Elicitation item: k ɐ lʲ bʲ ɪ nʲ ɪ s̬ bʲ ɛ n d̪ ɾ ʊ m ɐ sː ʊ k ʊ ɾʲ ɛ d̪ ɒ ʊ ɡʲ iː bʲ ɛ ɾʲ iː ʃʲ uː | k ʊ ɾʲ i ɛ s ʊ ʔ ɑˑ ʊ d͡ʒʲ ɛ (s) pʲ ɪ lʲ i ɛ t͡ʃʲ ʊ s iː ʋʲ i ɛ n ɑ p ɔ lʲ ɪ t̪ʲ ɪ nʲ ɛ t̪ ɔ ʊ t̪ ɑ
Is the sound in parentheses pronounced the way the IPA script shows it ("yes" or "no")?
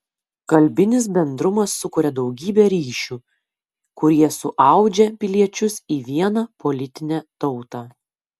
no